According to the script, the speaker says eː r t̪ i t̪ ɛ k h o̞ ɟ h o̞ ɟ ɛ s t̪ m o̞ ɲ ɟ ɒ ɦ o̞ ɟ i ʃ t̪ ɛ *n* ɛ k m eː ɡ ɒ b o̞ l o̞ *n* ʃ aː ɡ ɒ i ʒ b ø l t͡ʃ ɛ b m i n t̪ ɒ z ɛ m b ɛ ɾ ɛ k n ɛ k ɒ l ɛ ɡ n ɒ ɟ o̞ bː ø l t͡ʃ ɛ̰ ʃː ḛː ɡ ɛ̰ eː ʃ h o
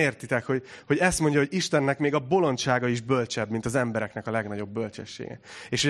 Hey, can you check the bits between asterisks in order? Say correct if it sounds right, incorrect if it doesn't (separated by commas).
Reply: incorrect, correct